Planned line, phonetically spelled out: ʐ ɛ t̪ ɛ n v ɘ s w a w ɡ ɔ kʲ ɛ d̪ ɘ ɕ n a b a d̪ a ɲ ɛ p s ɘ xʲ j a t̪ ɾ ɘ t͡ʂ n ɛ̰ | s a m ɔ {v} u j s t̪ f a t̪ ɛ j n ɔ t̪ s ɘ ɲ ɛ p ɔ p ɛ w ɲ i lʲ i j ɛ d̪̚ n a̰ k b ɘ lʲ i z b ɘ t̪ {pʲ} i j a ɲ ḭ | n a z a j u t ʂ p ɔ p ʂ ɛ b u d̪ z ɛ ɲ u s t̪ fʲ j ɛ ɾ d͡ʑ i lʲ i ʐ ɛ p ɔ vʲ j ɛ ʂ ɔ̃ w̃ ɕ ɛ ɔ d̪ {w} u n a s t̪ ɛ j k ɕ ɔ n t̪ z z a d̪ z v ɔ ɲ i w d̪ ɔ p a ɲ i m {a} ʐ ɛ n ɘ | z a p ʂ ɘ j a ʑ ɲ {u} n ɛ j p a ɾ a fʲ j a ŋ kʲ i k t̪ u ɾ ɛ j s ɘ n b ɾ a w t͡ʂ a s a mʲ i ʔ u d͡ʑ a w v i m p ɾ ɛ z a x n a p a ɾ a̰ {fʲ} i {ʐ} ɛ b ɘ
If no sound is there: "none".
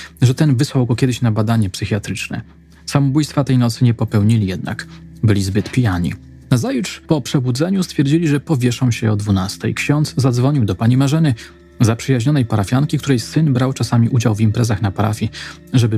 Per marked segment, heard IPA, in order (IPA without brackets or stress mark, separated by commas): b, pʲ, v, a, ɔ, fʲ, ʐ